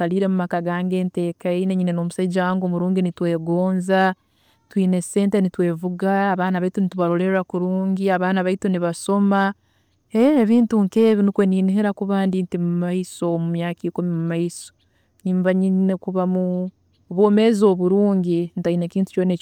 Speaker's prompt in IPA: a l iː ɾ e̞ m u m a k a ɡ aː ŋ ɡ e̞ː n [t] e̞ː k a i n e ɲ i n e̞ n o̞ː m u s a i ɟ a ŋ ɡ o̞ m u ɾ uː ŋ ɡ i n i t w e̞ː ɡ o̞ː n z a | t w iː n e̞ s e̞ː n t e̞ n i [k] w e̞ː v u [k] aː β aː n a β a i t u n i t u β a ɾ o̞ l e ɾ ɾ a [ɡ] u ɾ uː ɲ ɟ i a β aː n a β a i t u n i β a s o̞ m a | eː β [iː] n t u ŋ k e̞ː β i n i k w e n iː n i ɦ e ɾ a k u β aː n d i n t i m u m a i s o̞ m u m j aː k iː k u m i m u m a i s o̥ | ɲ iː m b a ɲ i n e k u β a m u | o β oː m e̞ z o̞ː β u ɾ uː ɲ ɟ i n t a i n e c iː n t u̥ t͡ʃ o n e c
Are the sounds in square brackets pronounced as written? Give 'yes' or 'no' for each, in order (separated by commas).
yes, no, no, no, yes